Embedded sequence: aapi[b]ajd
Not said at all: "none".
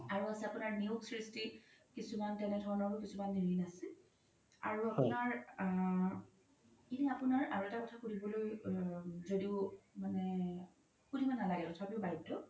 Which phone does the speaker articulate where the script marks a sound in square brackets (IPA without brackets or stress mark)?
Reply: b